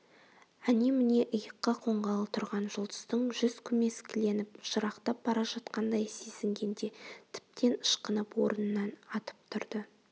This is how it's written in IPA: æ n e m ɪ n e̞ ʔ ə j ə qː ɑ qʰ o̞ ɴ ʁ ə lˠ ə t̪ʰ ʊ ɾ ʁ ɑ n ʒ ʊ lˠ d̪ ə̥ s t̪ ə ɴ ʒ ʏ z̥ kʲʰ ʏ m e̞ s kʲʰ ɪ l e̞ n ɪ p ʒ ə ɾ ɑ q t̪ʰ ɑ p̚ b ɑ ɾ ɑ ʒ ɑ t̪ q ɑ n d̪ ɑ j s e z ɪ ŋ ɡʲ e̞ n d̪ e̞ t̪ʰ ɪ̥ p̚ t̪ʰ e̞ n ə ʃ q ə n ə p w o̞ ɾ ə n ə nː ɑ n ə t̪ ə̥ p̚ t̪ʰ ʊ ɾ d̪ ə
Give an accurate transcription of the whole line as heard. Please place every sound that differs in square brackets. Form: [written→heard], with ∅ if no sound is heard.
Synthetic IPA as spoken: æ n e m ɪ n e̞ ʔ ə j ə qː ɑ qʰ o̞ ɴ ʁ [ə→ɑ] lˠ ə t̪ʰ ʊ ɾ ʁ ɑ n ʒ ʊ lˠ d̪ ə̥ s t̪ ə ɴ ʒ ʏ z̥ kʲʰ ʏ m e̞ s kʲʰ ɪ l e̞ n ɪ p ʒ ə ɾ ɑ q [t̪ʰ→t̪] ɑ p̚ b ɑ ɾ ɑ ʒ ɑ t̪ q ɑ n d̪ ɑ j s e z ɪ ŋ ɡʲ e̞ n d̪ e̞ t̪ʰ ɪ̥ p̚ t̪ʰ e̞ n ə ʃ q ə n ə p w o̞ ɾ ə n ə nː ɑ n [ə→ɑ] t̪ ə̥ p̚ t̪ʰ ʊ ɾ d̪ ə

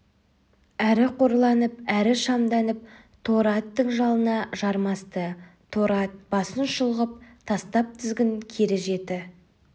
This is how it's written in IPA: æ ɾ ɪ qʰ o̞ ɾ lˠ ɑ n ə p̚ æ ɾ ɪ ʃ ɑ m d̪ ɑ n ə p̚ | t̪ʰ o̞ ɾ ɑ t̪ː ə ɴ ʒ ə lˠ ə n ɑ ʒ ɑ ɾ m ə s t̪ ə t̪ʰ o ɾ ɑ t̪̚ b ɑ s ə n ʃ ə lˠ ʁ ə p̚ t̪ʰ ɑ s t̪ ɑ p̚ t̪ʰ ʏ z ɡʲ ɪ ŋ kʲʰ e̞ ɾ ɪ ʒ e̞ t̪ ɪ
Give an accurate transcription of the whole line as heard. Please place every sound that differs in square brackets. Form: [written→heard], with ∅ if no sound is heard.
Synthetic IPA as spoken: æ ɾ ɪ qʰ o̞ ɾ lˠ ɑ n ə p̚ æ ɾ ɪ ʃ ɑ m d̪ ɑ n ə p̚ | t̪ʰ o̞ ɾ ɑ t̪ː ə ɴ ʒ [ə→ɑ] lˠ ə n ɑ ʒ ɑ ɾ m [ə→ɑ] s t̪ ə t̪ʰ o ɾ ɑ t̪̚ b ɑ s ə n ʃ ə lˠ ʁ ə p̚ t̪ʰ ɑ s t̪ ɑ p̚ t̪ʰ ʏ z ɡʲ ɪ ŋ kʲʰ e̞ ɾ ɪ ʒ e̞ t̪ ɪ

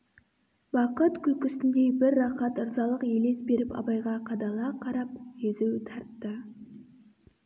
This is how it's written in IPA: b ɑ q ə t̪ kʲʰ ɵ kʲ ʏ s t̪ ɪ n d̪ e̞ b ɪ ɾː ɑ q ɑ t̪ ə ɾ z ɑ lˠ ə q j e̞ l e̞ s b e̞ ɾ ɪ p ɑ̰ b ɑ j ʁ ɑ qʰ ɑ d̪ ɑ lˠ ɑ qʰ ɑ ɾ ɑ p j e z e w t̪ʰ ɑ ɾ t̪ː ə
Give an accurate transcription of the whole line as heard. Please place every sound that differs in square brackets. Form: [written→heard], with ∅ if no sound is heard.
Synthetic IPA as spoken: b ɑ q ə t̪ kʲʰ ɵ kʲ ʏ s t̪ ɪ n d̪ e̞ b ɪ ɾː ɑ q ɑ t̪ ə ɾ z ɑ lˠ ə q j e̞ l e̞ s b e̞ ɾ ɪ p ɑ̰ b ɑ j ʁ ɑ qʰ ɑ d̪ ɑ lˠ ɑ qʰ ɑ ɾ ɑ p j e z e w t̪ʰ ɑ ɾ t̪ː ə

